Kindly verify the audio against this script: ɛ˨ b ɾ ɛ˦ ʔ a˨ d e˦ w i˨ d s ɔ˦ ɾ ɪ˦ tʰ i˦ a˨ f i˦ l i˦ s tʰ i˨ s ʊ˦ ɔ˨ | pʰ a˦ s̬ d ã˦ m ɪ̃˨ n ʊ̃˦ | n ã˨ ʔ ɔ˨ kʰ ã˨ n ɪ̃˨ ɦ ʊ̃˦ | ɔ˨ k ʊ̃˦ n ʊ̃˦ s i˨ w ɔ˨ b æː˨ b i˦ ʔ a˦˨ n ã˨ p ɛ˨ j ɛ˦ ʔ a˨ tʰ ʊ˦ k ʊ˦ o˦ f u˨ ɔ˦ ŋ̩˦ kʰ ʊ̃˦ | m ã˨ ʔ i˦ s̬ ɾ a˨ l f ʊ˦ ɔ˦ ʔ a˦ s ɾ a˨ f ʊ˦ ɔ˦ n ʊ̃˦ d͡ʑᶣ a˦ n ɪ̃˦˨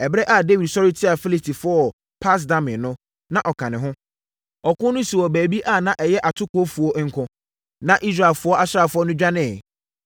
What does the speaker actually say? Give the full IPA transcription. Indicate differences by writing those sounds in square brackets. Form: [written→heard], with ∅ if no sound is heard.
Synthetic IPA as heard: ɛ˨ b ɾ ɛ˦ ʔ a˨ d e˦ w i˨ d s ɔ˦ ɾ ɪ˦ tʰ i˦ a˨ f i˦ l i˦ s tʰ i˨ [s→f] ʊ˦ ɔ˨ | pʰ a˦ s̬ d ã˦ m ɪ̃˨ n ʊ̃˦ | n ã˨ ʔ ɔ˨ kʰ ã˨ n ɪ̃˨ ɦ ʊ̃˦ | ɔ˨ k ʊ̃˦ n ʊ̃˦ s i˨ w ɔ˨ b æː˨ b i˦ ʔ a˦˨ n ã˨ [p→ʔ] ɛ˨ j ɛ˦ ʔ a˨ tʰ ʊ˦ k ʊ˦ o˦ f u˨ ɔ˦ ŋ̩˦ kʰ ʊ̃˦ | [m→n] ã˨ ʔ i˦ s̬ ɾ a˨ l f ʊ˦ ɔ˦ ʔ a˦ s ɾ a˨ f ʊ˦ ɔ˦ n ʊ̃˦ d͡ʑᶣ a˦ n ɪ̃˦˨

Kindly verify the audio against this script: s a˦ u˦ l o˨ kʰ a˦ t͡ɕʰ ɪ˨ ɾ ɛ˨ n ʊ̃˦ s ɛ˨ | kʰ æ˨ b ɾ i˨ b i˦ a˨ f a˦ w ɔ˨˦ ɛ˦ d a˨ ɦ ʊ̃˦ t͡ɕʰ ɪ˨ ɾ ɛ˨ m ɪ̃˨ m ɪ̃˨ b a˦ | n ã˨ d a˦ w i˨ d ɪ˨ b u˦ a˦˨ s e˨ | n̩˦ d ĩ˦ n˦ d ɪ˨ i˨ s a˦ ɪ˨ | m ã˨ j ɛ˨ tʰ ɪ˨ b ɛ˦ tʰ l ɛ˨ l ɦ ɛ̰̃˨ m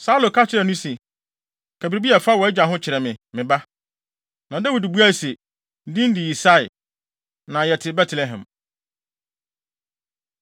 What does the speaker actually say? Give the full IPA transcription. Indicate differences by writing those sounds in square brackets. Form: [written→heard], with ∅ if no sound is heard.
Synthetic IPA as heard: s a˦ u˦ l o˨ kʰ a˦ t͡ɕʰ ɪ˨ ɾ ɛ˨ n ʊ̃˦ s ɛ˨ | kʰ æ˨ b ɾ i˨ b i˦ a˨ f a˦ w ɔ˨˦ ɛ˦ [d→d͡ʑ] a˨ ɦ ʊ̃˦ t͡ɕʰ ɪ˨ ɾ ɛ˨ m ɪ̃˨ m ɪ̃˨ b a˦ | n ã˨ d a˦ w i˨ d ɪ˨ b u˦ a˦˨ s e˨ | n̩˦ d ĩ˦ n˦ d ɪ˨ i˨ s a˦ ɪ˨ | [m→n] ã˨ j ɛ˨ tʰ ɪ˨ b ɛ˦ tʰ l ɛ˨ [l→∅] ɦ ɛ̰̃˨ m

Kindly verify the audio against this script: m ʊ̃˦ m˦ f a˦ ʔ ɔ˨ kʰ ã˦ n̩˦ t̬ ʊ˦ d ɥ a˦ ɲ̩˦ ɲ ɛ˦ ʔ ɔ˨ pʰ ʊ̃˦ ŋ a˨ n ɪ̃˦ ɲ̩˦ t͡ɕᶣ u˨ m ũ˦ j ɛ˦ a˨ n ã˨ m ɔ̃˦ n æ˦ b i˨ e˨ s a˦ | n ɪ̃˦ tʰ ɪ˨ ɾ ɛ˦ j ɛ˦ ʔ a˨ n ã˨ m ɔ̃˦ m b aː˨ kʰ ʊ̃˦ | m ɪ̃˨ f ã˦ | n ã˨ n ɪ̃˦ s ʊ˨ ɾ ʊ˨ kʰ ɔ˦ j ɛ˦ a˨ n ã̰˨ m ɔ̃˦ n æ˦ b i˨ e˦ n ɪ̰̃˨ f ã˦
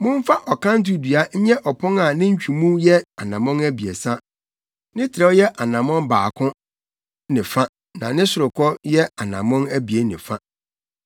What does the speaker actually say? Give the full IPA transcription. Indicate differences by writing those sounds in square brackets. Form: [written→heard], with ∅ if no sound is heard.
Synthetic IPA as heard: m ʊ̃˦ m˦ f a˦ ʔ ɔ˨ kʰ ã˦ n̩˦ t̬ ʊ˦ d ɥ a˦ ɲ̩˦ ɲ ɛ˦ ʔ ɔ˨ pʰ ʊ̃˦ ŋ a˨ n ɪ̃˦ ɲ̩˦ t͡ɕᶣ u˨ m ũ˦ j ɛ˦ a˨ n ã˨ m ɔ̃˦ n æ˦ b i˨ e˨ s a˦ | n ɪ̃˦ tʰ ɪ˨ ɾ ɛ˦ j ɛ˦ ʔ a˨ n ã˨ m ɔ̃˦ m b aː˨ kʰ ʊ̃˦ | [m→n] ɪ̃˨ f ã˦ | n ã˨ n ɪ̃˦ s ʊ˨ ɾ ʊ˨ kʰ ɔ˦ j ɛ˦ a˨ n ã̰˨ m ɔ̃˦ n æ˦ b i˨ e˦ n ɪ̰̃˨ f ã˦

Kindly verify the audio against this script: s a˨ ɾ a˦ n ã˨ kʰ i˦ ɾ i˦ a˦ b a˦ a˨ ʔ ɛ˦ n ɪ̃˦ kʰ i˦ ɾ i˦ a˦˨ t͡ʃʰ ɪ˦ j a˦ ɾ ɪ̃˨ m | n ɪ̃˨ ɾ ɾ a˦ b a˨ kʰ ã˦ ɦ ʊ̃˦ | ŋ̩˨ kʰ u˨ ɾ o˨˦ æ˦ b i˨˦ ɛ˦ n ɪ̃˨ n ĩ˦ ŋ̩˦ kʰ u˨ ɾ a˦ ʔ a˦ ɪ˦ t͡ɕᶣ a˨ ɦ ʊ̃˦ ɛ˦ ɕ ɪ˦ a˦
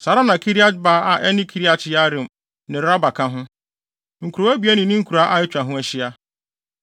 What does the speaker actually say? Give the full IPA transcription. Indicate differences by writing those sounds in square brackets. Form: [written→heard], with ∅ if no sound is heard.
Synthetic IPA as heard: s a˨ ɾ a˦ n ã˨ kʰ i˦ ɾ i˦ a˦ b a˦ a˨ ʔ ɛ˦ n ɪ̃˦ kʰ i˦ ɾ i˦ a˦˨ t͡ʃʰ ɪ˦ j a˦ ɾ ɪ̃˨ m | n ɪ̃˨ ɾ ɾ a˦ b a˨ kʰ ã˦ ɦ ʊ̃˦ | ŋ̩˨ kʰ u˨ ɾ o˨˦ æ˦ b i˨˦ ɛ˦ n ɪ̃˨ n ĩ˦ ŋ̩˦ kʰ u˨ ɾ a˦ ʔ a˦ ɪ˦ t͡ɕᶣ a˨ ɦ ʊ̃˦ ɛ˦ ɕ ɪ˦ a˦

